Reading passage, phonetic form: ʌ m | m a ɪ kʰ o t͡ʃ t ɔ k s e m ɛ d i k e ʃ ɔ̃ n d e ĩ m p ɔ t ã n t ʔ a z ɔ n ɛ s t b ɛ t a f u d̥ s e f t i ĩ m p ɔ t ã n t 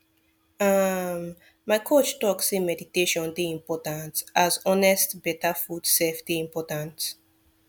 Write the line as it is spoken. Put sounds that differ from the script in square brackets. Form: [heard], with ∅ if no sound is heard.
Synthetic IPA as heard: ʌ m | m a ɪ kʰ o t͡ʃ t ɔ k s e m ɛ d i [t] e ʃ ɔ̃ n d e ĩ m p ɔ t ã n t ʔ a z ɔ n ɛ s t b ɛ t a f u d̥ s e f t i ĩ m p ɔ t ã n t